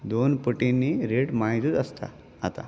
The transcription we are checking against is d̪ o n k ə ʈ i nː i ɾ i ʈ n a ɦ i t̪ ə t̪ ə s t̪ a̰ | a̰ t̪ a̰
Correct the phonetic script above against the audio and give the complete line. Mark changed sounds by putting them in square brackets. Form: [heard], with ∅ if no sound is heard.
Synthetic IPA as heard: d̪ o n [p] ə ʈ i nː i ɾ [e] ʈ [m] a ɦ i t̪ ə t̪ ə s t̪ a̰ | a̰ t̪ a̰